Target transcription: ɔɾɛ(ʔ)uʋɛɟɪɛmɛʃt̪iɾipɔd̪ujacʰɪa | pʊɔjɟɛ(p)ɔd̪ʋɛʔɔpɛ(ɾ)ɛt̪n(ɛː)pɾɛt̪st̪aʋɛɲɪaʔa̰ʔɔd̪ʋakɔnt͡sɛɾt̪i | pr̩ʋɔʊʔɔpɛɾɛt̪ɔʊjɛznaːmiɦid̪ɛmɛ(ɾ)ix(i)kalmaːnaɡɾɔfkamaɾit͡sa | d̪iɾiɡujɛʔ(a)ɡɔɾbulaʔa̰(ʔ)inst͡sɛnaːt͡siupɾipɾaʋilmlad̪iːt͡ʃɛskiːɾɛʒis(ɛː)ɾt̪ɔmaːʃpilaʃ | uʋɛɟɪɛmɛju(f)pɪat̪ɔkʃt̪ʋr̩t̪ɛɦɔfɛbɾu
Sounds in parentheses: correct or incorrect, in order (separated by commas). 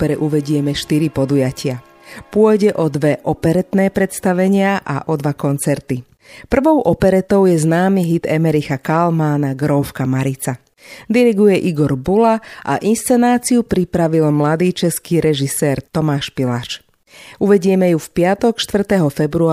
correct, incorrect, correct, correct, correct, incorrect, incorrect, correct, correct, correct